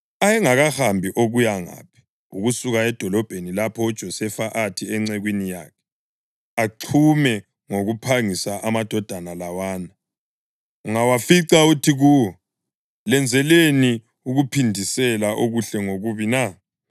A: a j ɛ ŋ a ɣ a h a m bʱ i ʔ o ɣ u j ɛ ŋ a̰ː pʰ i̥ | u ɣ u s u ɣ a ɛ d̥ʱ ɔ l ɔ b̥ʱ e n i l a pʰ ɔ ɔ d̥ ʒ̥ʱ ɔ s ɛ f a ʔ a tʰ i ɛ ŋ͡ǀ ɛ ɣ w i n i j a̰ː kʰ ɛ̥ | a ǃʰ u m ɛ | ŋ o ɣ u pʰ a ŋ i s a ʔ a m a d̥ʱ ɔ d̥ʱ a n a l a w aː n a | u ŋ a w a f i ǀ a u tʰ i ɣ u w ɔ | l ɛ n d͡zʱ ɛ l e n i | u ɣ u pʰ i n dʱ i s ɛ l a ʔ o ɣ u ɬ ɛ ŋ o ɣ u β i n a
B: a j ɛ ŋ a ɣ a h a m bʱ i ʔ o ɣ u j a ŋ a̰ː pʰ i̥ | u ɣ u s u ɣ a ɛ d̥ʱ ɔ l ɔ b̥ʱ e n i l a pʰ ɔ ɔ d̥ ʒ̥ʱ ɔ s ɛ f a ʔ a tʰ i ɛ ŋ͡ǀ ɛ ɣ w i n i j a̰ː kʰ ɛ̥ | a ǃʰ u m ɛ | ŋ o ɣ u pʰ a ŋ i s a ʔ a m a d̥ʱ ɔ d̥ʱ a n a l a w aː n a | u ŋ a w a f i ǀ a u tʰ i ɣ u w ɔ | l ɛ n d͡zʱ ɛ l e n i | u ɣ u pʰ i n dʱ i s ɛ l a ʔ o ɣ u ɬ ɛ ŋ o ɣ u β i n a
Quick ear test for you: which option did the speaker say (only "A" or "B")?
B